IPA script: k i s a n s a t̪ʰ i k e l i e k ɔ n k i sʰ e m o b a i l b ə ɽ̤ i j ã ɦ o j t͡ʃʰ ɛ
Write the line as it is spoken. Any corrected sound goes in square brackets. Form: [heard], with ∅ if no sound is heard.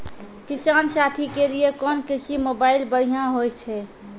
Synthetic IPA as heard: k i s a n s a t̪ʰ i k e l i e k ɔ n k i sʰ [i] m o b a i l b ə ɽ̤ i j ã ɦ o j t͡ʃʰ ɛ